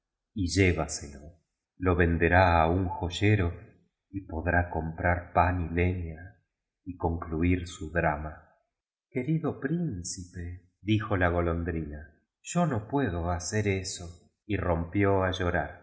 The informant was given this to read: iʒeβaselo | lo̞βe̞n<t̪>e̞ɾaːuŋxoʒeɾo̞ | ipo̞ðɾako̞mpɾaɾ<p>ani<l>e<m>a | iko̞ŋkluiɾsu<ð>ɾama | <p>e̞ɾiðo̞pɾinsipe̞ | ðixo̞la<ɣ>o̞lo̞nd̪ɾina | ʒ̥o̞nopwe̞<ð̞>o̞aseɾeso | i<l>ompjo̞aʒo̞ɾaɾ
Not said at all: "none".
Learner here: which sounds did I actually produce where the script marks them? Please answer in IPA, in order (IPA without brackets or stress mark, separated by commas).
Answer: d̪, p, l, ɲ, ð, k, ɣ, ð̞, r